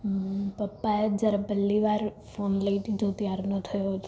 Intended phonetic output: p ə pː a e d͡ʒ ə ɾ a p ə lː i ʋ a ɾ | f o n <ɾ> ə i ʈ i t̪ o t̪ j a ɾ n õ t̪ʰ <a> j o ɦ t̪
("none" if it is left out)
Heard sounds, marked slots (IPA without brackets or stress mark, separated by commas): l, ə